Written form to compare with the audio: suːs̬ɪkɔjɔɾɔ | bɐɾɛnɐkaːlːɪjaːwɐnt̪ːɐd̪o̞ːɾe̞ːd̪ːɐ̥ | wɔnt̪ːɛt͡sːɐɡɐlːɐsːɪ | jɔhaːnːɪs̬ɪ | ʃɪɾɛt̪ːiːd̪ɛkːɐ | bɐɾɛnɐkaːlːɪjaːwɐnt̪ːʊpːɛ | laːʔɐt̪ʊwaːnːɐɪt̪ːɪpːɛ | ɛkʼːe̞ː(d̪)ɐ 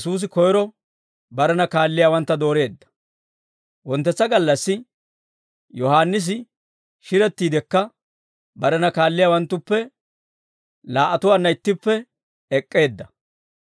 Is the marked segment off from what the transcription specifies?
yes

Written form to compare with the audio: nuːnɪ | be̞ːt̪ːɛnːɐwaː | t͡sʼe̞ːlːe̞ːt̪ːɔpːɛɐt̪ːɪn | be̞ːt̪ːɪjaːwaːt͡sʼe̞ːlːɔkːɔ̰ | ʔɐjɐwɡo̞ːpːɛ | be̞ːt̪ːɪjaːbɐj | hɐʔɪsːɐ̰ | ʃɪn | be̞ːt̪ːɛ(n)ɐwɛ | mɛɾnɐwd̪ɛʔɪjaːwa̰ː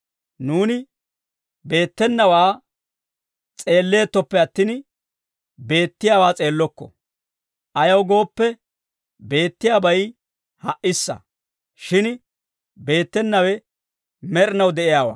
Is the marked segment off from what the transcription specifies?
yes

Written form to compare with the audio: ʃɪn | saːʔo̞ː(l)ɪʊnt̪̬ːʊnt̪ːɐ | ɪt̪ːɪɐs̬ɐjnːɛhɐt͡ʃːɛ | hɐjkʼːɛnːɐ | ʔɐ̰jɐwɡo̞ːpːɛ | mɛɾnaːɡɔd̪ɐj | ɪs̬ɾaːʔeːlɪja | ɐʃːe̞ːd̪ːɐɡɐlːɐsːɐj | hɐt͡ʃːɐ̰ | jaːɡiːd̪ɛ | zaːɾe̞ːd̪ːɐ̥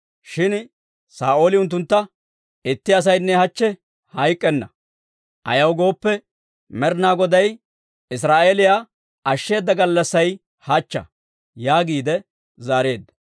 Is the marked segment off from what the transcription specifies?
no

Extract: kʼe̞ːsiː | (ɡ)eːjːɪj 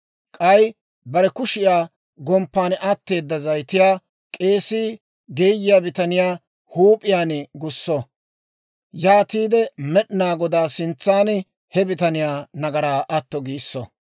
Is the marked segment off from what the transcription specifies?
no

